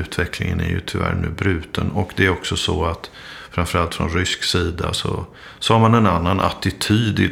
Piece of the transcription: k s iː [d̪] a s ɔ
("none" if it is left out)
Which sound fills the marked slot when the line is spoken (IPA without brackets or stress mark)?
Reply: d̪